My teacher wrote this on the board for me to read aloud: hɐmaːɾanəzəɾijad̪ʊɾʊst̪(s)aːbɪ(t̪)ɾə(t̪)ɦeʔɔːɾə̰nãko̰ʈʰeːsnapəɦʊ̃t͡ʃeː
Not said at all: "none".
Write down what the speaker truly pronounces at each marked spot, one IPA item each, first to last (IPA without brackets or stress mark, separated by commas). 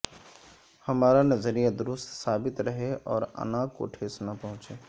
s, t̪, none